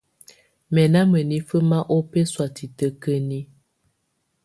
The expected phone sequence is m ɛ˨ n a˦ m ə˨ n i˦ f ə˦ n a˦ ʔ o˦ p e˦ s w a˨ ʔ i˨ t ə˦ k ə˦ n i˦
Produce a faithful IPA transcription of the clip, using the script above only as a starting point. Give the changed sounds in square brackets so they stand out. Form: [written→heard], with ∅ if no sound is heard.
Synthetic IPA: m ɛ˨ n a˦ m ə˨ n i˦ f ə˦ [n→m] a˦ ʔ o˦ p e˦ s w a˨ [ʔ→t] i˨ t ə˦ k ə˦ n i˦